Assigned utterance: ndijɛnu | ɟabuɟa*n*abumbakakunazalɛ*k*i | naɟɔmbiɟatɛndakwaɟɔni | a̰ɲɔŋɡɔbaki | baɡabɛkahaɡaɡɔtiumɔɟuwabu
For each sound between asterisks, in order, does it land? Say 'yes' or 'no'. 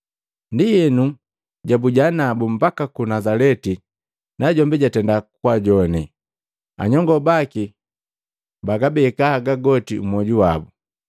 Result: yes, no

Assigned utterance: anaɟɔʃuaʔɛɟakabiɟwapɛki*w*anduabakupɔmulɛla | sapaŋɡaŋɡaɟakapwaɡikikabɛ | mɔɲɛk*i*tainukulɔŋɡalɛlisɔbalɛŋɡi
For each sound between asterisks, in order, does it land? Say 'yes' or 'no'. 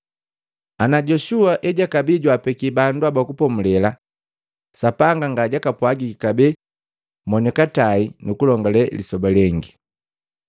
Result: no, no

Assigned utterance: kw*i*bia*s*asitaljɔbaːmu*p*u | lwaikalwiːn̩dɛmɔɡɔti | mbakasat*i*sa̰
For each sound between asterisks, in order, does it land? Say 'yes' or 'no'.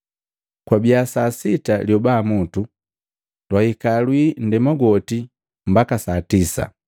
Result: no, yes, no, yes

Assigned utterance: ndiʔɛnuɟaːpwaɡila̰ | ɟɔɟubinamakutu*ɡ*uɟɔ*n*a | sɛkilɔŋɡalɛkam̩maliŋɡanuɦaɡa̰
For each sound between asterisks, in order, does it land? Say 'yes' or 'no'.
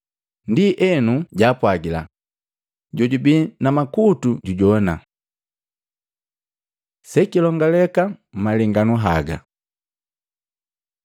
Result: no, yes

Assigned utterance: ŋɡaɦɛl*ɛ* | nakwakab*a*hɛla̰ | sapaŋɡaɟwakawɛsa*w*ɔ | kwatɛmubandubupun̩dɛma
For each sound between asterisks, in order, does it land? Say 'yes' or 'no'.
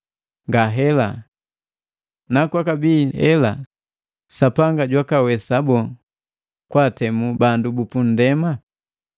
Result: no, no, no

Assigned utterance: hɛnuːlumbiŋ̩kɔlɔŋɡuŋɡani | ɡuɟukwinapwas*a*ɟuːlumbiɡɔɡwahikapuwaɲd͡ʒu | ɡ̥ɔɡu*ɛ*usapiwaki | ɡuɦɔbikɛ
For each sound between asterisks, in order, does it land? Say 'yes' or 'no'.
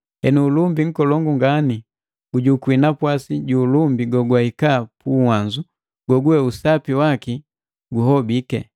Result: no, yes

